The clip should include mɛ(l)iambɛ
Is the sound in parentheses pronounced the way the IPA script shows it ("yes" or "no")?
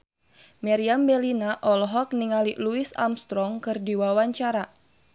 no